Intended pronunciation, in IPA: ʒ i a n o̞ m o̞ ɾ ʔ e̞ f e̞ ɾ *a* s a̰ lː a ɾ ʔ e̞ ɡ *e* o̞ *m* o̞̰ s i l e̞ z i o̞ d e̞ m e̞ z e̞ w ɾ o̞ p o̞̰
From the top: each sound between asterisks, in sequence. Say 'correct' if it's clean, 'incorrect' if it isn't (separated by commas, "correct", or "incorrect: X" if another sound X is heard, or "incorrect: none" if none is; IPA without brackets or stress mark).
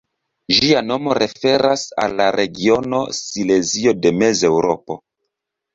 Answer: correct, incorrect: i, incorrect: n